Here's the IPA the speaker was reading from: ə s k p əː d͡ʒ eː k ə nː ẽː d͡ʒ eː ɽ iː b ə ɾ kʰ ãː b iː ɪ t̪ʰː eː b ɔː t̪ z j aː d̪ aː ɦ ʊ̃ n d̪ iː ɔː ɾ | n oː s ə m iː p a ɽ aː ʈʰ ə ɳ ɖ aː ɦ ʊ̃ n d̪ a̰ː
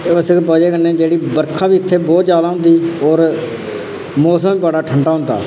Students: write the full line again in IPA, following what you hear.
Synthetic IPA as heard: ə s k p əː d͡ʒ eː k ə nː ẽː d͡ʒ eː ɽ iː b ə ɾ kʰ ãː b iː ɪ t̪ʰː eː b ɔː t̪ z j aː d̪ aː ɦ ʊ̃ n d̪ iː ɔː ɾ | m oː s ə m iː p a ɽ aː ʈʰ ə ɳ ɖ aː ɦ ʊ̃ n d̪ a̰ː